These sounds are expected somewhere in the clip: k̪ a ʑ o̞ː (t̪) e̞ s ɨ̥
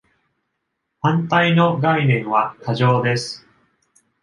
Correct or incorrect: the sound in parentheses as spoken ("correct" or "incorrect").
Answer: incorrect